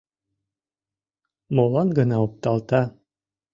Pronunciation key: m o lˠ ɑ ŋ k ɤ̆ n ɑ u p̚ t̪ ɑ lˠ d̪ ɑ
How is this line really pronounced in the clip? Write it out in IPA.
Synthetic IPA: m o lˠ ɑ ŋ ɡ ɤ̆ n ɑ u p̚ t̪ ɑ lˠ t̪ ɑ

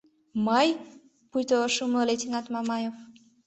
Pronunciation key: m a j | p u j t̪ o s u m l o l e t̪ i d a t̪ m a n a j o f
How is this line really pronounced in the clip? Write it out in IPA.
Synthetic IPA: m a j | p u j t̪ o ʃ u m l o l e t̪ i n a t̪ m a m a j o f

